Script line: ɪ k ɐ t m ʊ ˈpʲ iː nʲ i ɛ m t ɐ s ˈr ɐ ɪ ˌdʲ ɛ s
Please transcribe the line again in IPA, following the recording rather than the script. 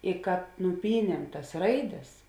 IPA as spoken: ɪ k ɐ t n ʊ ˈpʲ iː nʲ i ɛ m t ɐ s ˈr ɐ ɪ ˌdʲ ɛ s